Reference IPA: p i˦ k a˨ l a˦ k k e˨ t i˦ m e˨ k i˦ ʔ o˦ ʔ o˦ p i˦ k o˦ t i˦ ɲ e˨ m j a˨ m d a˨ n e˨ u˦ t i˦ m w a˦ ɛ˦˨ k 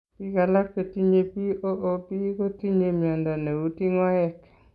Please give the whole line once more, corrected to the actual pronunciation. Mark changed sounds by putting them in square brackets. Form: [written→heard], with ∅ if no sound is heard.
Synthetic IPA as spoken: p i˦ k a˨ l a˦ k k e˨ t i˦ [m→ɲ] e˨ [k→p] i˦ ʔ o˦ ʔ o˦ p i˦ k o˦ t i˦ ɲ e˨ m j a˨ [m→n] d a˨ n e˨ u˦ t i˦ [m→ŋ] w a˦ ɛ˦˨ k